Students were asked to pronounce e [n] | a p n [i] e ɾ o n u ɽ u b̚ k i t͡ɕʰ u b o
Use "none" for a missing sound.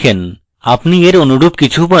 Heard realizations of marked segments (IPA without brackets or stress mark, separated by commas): n, i